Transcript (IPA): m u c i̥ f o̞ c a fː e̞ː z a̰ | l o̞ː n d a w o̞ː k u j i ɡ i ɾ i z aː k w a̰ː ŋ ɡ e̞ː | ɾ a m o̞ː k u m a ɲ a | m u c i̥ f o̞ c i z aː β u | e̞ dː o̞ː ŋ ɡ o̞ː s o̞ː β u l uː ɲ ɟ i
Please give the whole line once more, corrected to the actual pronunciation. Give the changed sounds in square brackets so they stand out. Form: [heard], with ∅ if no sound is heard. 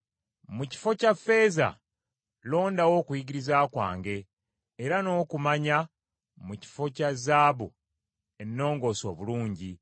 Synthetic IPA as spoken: m u c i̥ f o̞ c a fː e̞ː z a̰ | l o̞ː n d a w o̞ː k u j i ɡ i ɾ i z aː k w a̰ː ŋ ɡ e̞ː | ɾ a [n] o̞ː k u m a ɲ a | m u c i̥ f o̞ c [a] z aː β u | e̞ [nː] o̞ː ŋ ɡ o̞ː s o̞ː β u l uː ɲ ɟ i